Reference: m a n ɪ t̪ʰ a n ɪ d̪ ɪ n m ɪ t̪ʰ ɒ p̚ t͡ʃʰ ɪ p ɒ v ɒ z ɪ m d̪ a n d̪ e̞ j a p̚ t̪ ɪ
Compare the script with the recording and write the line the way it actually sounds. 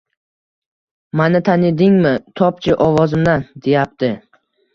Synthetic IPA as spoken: m a n ɪ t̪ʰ a n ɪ d̪ ɪ ŋ m ɪ t̪ʰ ɒ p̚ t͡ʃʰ ɪ ʔ ɒ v ɒ z ɪ m d̪ a n d̪ e̞ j a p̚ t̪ ɪ